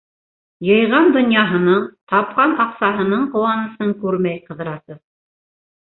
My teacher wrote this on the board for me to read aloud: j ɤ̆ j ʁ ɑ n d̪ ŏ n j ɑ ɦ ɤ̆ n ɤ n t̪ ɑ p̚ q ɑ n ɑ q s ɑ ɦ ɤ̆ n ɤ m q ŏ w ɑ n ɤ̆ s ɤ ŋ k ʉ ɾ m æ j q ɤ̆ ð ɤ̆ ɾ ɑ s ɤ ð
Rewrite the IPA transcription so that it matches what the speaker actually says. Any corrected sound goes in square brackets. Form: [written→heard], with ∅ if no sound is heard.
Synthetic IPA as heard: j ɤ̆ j ʁ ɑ n d̪ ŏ n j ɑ ɦ ɤ̆ n ɤ [n→ɴ] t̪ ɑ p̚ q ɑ n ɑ q s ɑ ɦ ɤ̆ n ɤ [m→ɴ] q ŏ w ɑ n ɤ̆ s ɤ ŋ k ʉ ɾ m æ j q ɤ̆ ð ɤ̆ ɾ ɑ s ɤ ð

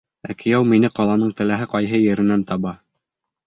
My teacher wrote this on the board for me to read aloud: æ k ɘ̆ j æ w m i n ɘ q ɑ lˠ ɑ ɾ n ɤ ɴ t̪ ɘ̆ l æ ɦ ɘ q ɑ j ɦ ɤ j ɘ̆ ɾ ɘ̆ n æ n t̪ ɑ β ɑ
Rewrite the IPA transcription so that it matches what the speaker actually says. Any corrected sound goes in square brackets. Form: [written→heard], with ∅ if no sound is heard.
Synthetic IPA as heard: æ k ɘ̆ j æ w m i n ɘ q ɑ lˠ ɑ [ɾ→∅] n ɤ ɴ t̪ ɘ̆ l æ ɦ ɘ q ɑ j ɦ ɤ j ɘ̆ ɾ ɘ̆ n æ n t̪ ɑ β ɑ

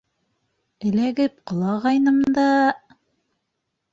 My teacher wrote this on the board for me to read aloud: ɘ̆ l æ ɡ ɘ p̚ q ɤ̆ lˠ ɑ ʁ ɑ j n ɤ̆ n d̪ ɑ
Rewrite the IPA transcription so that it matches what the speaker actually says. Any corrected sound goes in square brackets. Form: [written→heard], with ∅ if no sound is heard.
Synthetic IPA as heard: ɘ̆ l æ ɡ ɘ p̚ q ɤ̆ lˠ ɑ ʁ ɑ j n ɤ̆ [n→m] d̪ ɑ

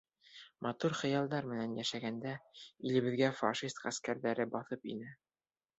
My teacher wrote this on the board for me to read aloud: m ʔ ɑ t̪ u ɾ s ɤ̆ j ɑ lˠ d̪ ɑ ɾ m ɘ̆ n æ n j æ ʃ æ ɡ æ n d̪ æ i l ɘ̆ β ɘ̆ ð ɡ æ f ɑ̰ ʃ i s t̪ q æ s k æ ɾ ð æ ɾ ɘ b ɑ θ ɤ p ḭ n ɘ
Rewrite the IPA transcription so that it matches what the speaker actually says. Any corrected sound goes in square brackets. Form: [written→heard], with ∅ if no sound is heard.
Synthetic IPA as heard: m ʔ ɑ t̪ u ɾ [s→χ] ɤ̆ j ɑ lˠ d̪ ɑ ɾ m ɘ̆ n æ n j æ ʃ æ ɡ æ n d̪ æ i l ɘ̆ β ɘ̆ ð ɡ æ f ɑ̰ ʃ i s t̪ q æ s k æ ɾ ð æ ɾ ɘ b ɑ θ ɤ p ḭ n ɘ

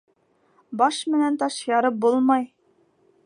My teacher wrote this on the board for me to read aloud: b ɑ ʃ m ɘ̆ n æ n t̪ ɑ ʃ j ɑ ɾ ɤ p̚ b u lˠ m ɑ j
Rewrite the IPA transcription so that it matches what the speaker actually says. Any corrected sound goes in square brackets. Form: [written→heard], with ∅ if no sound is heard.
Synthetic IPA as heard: b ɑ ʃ m ɘ̆ n æ n t̪ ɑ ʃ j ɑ ɾ ɤ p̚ b u lˠ m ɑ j

